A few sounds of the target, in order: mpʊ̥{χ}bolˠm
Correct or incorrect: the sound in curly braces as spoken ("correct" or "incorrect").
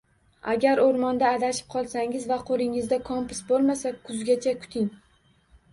incorrect